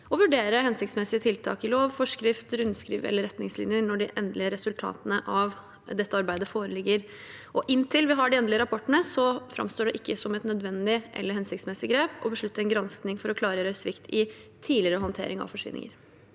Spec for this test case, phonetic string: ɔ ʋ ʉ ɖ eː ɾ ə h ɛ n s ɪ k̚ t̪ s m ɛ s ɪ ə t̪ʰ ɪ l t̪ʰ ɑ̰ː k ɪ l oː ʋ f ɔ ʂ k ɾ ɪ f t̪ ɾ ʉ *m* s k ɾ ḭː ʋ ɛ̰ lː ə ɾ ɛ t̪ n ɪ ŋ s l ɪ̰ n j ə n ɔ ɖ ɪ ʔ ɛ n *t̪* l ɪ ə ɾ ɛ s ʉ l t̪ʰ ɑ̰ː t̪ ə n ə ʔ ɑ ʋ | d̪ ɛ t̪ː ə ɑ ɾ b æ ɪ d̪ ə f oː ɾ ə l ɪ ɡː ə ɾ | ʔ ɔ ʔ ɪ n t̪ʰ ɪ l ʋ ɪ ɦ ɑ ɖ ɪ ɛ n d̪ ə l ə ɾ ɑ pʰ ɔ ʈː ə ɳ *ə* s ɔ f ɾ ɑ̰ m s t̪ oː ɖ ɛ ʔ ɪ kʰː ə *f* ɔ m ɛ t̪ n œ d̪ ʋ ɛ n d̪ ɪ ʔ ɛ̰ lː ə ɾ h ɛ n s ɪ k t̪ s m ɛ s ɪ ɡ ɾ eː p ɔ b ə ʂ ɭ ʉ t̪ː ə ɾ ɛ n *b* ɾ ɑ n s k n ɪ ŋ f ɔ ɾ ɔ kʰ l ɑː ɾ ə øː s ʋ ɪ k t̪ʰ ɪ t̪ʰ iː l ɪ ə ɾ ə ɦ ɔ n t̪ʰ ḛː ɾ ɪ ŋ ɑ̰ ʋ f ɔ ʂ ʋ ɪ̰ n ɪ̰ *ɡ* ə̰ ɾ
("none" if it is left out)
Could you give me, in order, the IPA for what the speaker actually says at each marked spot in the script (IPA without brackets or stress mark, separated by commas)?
n, d̪, ə, s, ɡ, ŋ